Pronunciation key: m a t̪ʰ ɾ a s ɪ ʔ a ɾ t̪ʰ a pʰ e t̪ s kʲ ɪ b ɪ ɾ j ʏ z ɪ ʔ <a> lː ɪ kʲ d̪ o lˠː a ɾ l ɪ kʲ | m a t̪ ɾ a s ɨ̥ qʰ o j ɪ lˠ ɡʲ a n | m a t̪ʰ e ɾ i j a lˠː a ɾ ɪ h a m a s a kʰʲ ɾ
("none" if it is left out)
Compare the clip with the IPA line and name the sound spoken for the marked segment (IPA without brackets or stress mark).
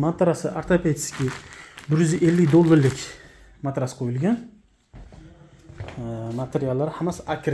e